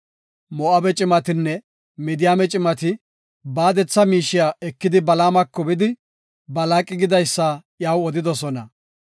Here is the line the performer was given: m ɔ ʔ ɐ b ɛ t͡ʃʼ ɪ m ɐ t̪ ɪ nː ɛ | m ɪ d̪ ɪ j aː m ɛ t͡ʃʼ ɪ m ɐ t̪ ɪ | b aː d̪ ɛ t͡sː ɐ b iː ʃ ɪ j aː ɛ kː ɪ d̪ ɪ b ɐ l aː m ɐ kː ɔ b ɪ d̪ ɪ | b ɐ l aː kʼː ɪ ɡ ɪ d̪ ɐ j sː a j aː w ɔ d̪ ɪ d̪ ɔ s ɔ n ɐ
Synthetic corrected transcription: m ɔ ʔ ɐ b ɛ t͡ʃʼ ɪ m ɐ t̪ ɪ nː ɛ | m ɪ d̪ ɪ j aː m ɛ t͡ʃʼ ɪ m ɐ t̪ ɪ | b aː d̪ ɛ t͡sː ɐ m iː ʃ ɪ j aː ɛ kː ɪ d̪ ɪ b ɐ l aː m ɐ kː ɔ b ɪ d̪ ɪ | b ɐ l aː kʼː ɪ ɡ ɪ d̪ ɐ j sː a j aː w ɔ d̪ ɪ d̪ ɔ s ɔ n ɐ